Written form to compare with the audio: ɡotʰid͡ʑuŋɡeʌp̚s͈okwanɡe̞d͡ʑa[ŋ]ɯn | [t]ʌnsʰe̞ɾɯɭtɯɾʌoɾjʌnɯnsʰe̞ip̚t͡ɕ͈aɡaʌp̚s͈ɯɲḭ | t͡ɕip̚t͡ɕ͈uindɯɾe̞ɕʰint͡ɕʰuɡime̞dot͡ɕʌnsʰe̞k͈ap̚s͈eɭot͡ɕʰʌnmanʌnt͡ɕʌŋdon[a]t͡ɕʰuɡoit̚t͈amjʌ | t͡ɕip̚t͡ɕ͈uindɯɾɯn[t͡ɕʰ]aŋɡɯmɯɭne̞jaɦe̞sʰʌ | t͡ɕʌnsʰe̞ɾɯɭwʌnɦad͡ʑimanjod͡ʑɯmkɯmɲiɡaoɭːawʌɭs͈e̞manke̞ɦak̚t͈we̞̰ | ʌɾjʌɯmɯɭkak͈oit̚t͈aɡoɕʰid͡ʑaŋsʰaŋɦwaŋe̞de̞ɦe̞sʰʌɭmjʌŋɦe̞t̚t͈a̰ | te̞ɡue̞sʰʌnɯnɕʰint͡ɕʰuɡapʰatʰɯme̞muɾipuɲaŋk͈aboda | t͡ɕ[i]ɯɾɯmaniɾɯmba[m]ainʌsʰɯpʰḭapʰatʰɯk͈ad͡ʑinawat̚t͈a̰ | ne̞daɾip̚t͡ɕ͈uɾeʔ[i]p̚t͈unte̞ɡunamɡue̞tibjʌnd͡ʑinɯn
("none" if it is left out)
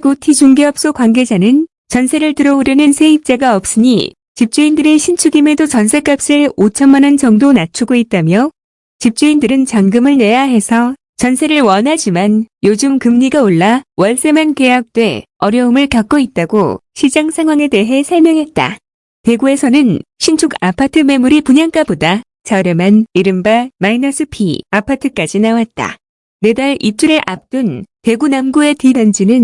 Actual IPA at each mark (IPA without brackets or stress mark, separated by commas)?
n, t͡ɕ, a, t͡ɕ, a, m, a